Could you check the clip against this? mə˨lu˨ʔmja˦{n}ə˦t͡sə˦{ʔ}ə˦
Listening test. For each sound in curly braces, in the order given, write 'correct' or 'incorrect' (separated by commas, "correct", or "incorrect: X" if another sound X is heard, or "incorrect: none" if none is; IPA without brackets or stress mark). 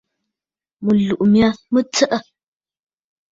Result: incorrect: m, correct